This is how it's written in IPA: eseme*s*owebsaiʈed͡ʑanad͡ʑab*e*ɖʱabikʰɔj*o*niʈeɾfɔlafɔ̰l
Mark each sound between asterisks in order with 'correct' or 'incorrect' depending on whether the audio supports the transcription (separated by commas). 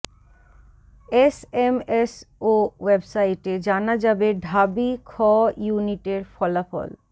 correct, correct, incorrect